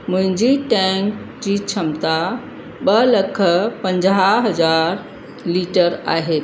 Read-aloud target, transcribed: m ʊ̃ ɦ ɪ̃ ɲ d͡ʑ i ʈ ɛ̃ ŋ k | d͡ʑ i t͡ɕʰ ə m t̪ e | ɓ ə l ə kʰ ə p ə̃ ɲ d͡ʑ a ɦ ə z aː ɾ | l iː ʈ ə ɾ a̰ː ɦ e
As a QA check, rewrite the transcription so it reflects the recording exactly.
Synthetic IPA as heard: m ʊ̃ ɦ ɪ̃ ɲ d͡ʑ i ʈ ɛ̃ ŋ k | d͡ʑ i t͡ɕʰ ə m t̪ a | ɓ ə l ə kʰ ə p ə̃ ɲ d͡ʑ a ɦ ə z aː ɾ | l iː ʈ ə ɾ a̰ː ɦ e

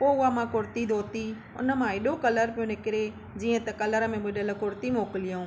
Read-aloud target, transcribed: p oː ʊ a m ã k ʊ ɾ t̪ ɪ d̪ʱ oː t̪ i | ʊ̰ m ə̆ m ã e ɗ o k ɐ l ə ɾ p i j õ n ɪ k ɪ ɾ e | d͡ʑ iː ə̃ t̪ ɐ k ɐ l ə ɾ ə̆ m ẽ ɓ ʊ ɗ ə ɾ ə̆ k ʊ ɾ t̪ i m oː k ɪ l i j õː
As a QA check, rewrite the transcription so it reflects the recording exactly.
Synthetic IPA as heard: p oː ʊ a m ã k ʊ ɾ t̪ i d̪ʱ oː t̪ i | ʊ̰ n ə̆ m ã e ɗ o k ɐ l ə ɾ p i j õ n ɪ k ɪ ɾ e | d͡ʑ iː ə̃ t̪ ɐ k ɐ l ə ɾ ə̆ m ẽ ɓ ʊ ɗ ə l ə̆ k ʊ ɾ t̪ i m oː k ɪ l i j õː

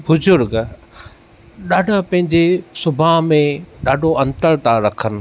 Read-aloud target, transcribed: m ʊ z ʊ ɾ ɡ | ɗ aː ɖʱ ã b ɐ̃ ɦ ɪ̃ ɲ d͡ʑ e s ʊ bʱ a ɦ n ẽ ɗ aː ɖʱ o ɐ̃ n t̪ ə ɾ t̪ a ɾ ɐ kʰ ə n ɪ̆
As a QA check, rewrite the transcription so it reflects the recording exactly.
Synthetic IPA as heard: b ʊ z ʊ ɾ ɡ | ɗ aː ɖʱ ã p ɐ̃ ɦ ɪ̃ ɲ d͡ʑ e s ʊ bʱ a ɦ m ẽ ɗ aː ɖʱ o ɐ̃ n t̪ ə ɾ t̪ a ɾ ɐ kʰ ə n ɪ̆

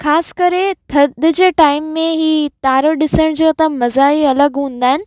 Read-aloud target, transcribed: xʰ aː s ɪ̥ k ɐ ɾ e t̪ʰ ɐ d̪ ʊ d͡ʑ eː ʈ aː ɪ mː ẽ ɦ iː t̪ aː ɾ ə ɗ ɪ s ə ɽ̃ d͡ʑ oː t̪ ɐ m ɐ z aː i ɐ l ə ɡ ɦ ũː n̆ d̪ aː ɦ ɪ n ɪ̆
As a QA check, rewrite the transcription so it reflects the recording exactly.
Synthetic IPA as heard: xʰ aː s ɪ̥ k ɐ ɾ e t̪ʰ ɐ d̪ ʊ d͡ʑ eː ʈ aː ɪ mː ẽ ɦ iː t̪ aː ɾ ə ɗ ɪ s ə ɽ̃ d͡ʑ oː t̪ ɐ m ɐ z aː i ɐ l ə ɡ ɦ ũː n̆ d̪ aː ɦ ɪ n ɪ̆

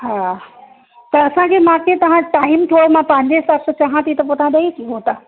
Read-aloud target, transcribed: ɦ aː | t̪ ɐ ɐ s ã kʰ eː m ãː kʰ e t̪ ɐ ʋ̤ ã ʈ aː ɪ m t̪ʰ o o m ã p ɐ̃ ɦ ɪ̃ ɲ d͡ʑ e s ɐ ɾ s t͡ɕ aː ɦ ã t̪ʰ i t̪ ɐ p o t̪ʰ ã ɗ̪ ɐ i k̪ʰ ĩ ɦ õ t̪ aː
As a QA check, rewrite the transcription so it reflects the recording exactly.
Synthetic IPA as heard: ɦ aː | t̪ ɐ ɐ s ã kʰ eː m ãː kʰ e t̪ ɐ ʋ̤ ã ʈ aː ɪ m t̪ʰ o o m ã p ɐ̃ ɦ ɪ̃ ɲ d͡ʑ e s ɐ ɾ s t͡ɕ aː ɦ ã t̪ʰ i t̪ ɐ p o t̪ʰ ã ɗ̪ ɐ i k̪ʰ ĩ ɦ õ t̪ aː

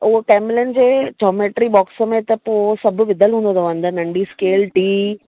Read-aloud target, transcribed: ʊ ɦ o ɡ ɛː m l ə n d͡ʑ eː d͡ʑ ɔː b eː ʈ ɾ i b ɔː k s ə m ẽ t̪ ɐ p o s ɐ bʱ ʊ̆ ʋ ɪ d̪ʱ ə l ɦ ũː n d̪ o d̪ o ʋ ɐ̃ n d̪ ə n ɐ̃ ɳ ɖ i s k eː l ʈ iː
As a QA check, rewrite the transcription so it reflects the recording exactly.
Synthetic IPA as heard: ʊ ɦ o k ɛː m l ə n d͡ʑ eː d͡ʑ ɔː m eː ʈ ɾ i b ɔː k s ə m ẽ t̪ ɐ p o s ɐ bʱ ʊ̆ ʋ ɪ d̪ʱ ə l ɦ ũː n d̪ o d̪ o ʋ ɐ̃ n d̪ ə n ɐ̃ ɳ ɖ i s k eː l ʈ iː

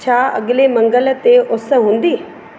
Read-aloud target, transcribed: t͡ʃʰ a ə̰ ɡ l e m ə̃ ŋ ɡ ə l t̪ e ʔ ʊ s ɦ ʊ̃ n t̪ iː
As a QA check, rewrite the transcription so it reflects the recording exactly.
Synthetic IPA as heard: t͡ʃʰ a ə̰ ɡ l e m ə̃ ŋ ɡ ə l t̪ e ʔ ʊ s ɦ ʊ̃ n d̪ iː

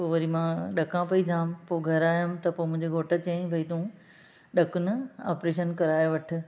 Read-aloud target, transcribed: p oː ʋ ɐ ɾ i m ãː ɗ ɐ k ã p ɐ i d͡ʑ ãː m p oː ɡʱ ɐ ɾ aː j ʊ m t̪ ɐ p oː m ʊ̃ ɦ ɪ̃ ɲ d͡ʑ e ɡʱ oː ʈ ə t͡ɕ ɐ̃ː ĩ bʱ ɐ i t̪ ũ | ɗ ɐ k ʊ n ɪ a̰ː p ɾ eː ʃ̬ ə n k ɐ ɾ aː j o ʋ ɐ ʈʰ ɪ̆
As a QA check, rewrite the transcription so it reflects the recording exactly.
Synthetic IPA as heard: p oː ʋ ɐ ɾ i m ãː ɗ ɐ k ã p ɐ i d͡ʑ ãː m p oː ɡʱ ɐ ɾ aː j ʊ m t̪ ɐ p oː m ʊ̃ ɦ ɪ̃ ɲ d͡ʑ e ɡʱ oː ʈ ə t͡ɕ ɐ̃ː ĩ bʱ ɐ i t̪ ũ | ɗ ɐ k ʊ n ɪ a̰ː p ɾ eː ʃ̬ ə n k ɐ ɾ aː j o ʋ ɐ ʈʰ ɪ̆

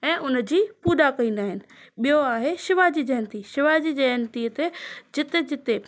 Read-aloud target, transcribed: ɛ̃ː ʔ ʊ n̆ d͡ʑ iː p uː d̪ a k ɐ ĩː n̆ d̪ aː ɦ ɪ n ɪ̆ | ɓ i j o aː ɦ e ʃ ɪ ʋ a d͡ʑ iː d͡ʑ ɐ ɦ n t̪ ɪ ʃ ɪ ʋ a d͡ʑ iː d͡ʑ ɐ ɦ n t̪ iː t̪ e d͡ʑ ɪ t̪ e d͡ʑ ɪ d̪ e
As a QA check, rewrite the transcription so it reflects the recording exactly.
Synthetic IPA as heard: ɛ̃ː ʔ ʊ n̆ d͡ʑ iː p uː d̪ a k ɐ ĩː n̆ d̪ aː ɦ ɪ n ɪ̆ | ɓ i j o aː ɦ e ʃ ɪ ʋ a d͡ʑ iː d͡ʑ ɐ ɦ n t̪ i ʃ ɪ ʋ a d͡ʑ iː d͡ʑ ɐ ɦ n t̪ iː t̪ e d͡ʑ ɪ t̪ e d͡ʑ ɪ t̪ e

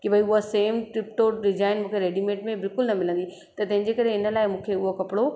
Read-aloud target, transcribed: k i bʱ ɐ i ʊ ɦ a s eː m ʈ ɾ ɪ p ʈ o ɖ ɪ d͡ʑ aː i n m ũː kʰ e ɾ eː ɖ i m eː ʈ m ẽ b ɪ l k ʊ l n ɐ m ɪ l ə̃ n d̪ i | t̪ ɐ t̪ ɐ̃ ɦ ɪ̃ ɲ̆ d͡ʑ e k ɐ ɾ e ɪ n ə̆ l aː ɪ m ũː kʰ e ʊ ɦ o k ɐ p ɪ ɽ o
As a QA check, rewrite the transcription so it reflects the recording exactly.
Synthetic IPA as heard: k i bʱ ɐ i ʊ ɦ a s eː m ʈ ɾ ɪ p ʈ o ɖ ɪ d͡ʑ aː ɪ n m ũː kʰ e ɾ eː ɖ i m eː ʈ m ẽ b ɪ l k ʊ l n ɐ m ɪ l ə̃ n d̪ i | t̪ ɐ t̪ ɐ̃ ɦ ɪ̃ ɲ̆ d͡ʑ e k ɐ ɾ e ɪ n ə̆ l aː ɪ m ũː kʰ e ʊ ɦ o k ɐ p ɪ ɽ o

